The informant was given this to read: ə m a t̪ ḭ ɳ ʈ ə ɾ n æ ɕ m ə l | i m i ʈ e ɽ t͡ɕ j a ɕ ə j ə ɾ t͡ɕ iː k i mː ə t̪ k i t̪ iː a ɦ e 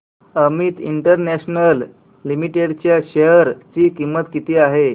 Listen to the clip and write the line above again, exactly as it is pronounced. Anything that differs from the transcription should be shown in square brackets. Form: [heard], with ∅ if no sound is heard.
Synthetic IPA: ə m [i] t̪ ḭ ɳ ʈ ə ɾ n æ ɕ [n] ə [lː] | i m i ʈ e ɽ t͡ɕ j a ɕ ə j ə ɾ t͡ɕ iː k i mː ə t̪ k i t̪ iː a ɦ e